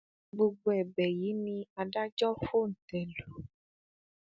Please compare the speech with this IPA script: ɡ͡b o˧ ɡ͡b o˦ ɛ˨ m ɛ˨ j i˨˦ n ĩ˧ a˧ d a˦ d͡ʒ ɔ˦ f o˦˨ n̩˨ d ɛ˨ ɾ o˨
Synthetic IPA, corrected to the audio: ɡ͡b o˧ ɡ͡b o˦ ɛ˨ b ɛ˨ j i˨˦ n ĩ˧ a˧ d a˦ d͡ʒ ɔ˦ f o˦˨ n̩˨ t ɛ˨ l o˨